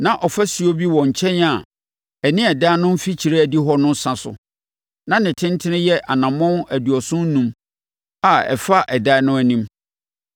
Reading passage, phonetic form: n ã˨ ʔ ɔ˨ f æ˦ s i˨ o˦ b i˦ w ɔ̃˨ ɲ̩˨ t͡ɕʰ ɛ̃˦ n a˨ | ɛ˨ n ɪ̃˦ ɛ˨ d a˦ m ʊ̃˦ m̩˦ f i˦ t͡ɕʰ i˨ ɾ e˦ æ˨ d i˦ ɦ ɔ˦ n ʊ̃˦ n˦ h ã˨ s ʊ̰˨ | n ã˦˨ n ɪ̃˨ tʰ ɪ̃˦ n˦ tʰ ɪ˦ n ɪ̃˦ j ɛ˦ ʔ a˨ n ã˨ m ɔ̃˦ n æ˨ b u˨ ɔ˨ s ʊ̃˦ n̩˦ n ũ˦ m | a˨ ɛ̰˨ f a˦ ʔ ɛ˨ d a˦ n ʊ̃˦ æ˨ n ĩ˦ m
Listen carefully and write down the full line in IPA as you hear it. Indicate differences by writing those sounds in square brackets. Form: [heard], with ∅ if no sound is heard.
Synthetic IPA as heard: n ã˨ ʔ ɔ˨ f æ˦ s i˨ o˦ b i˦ w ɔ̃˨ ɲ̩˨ t͡ɕʰ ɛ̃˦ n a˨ | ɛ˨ n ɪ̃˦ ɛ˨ d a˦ [n] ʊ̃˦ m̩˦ f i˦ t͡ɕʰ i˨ ɾ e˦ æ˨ d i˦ ɦ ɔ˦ n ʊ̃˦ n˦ [s] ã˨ s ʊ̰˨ | n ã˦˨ n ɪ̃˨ tʰ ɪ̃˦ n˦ tʰ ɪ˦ n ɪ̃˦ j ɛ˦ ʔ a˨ n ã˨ m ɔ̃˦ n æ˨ [d] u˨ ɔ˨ s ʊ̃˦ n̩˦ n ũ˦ m | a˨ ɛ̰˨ f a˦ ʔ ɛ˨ d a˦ n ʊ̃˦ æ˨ n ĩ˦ m